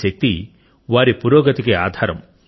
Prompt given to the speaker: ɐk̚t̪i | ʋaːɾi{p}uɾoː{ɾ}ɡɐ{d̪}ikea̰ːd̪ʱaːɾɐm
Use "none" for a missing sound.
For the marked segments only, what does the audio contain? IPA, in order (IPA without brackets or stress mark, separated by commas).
p, none, t̪